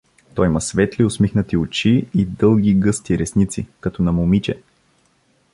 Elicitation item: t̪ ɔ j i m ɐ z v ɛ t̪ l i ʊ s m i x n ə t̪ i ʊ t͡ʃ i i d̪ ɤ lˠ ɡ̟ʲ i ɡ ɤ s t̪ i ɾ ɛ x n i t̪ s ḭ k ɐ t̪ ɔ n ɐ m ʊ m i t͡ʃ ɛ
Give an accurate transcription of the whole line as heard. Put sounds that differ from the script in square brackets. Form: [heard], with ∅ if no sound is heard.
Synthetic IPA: t̪ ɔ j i m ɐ [s] v ɛ t̪ l i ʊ s m i x n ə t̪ i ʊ t͡ʃ i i d̪ ɤ lˠ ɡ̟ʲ i ɡ ɤ s t̪ i ɾ ɛ [s] n i t̪ s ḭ k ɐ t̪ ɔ n ɐ m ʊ m i t͡ʃ ɛ